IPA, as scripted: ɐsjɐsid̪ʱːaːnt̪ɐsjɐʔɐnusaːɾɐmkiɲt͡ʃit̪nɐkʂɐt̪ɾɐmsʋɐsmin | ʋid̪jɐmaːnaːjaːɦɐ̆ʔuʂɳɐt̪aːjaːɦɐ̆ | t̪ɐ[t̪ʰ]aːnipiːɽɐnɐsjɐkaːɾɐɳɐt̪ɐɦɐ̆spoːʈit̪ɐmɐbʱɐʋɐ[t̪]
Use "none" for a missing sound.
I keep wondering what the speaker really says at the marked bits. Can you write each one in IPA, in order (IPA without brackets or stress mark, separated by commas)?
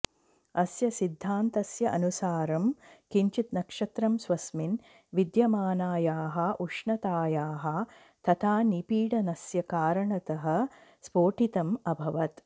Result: t̪ʰ, t̪